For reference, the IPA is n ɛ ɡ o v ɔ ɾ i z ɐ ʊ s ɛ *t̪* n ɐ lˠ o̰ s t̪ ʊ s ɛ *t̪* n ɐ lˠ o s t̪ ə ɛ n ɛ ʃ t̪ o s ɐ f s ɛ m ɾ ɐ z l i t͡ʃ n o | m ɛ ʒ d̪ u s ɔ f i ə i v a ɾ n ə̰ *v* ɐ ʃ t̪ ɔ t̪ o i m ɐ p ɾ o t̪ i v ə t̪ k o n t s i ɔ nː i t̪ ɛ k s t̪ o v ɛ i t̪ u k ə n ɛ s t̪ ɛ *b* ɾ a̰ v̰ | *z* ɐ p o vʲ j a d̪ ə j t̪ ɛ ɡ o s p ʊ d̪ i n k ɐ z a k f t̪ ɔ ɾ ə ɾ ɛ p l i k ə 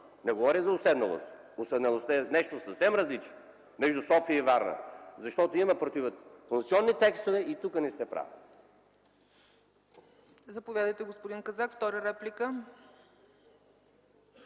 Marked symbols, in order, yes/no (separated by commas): no, no, no, no, yes